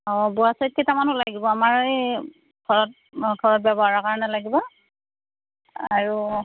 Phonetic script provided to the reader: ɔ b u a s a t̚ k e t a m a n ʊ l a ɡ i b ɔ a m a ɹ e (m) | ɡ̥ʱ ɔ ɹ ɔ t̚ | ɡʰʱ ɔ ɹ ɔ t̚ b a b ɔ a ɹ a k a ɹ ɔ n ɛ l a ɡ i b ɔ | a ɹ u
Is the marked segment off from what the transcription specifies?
yes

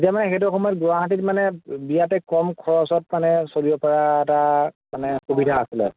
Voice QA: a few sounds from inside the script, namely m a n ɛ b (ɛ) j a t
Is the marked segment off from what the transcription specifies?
yes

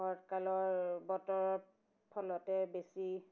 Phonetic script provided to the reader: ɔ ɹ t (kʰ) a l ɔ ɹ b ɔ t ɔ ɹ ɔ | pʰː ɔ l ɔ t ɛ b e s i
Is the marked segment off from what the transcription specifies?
yes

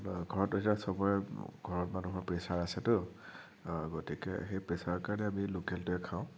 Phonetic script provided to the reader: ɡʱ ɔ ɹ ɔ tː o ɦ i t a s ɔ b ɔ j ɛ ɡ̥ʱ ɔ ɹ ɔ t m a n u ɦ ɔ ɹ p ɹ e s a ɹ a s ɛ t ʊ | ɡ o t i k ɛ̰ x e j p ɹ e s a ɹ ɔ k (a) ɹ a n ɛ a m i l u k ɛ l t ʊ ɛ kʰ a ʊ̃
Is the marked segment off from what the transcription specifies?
no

